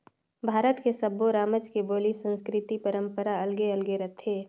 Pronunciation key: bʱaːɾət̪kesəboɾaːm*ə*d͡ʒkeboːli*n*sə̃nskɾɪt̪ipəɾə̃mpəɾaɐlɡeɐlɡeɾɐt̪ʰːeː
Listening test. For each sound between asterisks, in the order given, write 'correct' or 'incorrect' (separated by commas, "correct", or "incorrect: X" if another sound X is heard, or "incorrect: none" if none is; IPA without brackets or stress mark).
correct, incorrect: none